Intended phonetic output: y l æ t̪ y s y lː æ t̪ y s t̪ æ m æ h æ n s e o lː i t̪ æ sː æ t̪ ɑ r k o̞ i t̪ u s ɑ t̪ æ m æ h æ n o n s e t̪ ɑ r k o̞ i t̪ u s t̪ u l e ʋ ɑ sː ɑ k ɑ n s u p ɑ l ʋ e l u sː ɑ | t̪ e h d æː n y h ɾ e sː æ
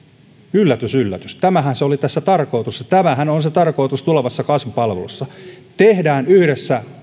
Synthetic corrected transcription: y lː æ t̪ y s y lː æ t̪ y s t̪ æ m æ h æ n s e o l i t̪ æ sː æ t̪ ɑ r k o̞ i t̪ u s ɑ t̪ æ m æ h æ n o n s e t̪ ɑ r k o̞ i t̪ u s t̪ u l e ʋ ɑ sː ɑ k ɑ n s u p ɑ l ʋ e l u sː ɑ | t̪ e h d æː n y h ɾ e sː æ